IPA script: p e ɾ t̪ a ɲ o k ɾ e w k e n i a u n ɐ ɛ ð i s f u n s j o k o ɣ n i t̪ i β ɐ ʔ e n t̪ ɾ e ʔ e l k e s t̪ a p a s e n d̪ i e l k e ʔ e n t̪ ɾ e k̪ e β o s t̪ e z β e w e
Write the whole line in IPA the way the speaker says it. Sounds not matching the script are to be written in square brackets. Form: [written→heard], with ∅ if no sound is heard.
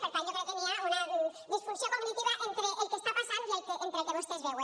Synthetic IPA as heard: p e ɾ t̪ a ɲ o k ɾ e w k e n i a u n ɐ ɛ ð i s f u n s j o k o ɣ n i t̪ i β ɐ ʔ e n t̪ ɾ e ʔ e l k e s t̪ a p a s [e→a] n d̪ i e l k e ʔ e n t̪ ɾ e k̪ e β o s t̪ e z β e w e